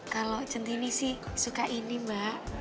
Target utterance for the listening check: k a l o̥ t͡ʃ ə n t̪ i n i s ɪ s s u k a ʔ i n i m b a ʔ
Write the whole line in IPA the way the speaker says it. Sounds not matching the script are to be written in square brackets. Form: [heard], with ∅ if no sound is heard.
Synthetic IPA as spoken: k a l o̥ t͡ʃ ə n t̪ i n i s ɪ [h] s u k a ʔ i n i m b a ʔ

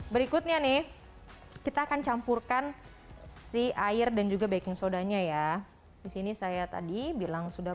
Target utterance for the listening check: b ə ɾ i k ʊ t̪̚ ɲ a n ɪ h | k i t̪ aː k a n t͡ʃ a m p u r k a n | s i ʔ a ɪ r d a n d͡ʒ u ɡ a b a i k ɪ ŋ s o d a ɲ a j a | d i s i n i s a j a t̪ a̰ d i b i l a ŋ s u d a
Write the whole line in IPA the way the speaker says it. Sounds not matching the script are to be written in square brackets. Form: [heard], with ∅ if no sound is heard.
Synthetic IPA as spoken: b ə ɾ i k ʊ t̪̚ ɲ a n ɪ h | k i t̪ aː k a n t͡ʃ a m p u r k a n | s i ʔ a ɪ r d a n d͡ʒ u ɡ a b a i k ɪ ŋ s o d a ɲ a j a | d i s i n i s a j a t̪ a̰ d i b i l a ŋ s u d a

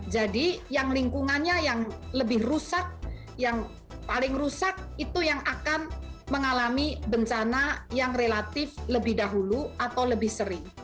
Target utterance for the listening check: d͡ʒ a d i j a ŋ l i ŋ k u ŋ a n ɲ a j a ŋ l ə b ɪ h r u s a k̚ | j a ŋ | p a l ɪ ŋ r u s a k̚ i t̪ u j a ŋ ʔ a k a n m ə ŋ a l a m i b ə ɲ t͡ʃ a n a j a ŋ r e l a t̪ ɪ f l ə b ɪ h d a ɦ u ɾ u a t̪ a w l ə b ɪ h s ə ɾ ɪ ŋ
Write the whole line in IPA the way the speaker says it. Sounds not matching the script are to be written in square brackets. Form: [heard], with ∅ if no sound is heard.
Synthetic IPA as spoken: d͡ʒ a d i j a ŋ l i ŋ k u ŋ a n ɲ a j a ŋ l ə b ɪ h r u s a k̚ | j a ŋ | p a l ɪ ŋ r u s a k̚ i t̪ u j a ŋ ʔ a k a n m ə ŋ a l a m i b ə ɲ t͡ʃ a n a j a ŋ r e l a t̪ ɪ f l ə b ɪ h d a ɦ u [l] u a t̪ a w l ə b ɪ h s ə ɾ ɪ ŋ

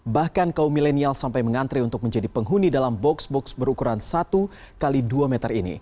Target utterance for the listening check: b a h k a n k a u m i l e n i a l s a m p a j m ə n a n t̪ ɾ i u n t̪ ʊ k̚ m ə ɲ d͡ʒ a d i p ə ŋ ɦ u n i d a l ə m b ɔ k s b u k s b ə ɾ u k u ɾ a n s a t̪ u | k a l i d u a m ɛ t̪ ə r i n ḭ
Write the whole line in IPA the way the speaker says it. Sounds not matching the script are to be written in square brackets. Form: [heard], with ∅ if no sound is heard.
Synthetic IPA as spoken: b a h k a n k a u m i l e n i a l s a m p a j m ə [ŋ] a n t̪ ɾ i u n t̪ ʊ k̚ m ə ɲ d͡ʒ a d i p ə ŋ ɦ u n i d a l [a] m b ɔ k s b [ɔ] k s b ə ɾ u k u ɾ a n s a t̪ u | k a l i d u a m ɛ t̪ ə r i n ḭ

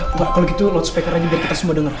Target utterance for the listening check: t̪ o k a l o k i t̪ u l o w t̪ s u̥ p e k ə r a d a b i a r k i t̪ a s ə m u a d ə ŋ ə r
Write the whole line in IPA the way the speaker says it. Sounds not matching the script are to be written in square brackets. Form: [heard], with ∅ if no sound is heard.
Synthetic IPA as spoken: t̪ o k a l o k i t̪ u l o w t̪ s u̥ p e k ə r a [d͡ʒ] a b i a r k i t̪ a s ə m u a d ə ŋ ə r

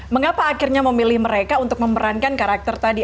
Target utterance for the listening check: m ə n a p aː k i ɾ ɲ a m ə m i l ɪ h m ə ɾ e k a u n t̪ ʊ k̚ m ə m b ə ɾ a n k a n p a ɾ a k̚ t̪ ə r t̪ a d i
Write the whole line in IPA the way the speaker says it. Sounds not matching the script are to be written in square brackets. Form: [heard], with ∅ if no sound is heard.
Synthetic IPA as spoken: m ə [ŋ] a p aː k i [r] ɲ a m ə m i l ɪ h m ə ɾ e k a u n t̪ ʊ k̚ m ə m b ə ɾ a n k a n [k] a ɾ a k̚ t̪ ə r t̪ a d i

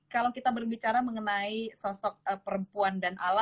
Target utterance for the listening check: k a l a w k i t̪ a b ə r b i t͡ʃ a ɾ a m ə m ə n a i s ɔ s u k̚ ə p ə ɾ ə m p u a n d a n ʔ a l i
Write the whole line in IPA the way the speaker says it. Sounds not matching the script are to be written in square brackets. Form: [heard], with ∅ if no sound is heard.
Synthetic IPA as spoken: k a l a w k i t̪ a b ə r b i t͡ʃ a ɾ a m ə [ŋ] ə n a i s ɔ s [ɔ] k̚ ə p ə ɾ ə m p u a n d a n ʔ a l [a]

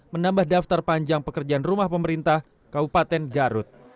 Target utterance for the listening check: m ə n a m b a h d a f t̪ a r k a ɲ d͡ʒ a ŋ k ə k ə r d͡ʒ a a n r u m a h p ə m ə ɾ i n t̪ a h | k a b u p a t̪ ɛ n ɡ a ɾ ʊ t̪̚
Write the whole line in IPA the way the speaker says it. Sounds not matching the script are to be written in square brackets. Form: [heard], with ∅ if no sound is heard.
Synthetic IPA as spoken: m ə n a m b a h d a f t̪ a r [p] a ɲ d͡ʒ a ŋ [p] ə k ə r d͡ʒ a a n r u m a h p ə m ə ɾ i n t̪ a h | k a b u p a t̪ ɛ n ɡ a ɾ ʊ t̪̚

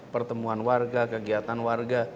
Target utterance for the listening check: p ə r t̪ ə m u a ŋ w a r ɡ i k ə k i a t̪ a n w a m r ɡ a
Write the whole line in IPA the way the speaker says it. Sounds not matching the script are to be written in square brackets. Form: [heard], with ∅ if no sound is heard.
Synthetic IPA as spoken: p ə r t̪ ə m u a [n] w a r ɡ [a] k ə [ɡ] i a t̪ a n w a [∅] r ɡ a

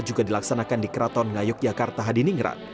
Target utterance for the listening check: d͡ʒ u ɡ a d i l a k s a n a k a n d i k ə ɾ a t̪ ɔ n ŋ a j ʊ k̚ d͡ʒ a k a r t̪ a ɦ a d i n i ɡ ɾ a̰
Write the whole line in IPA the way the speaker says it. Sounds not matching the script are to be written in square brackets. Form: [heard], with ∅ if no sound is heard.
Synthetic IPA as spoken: d͡ʒ u ɡ a d i l a k s a n a k a n d i k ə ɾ a t̪ ɔ n ŋ a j ʊ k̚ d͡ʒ a k a r t̪ a ɦ a d i n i [ŋ] ɾ a̰

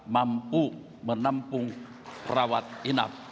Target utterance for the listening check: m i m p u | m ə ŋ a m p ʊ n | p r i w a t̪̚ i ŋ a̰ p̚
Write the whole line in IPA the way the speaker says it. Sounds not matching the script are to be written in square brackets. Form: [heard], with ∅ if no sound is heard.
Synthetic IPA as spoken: m [a] m p u | m ə [n] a m p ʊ [ŋ] | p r [a] w a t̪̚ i [n] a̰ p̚

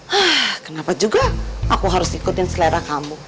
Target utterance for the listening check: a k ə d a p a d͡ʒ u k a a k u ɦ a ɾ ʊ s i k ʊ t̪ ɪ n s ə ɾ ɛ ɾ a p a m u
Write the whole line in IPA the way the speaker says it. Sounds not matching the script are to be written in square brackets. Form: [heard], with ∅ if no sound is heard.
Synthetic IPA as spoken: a k ə [n] a p a d͡ʒ u [ɡ] a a k u ɦ a ɾ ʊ s i k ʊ t̪ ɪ n s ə [l] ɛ ɾ a [k] a m u

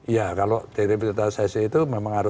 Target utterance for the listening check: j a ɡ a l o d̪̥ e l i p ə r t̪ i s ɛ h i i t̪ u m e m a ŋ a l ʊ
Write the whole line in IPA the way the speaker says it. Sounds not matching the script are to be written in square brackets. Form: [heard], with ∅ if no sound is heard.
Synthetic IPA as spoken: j a [k] a l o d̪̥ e [ɾ] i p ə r t̪ [a] s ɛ [s] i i t̪ u m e m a ŋ a [ɾ] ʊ

